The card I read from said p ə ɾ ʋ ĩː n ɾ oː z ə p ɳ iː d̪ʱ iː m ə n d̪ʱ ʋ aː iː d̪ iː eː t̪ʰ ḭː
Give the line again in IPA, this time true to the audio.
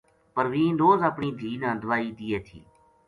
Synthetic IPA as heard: p ə ɾ ʋ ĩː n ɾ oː z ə p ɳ iː d̪ʱ iː n ə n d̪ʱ ʋ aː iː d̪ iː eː t̪ʰ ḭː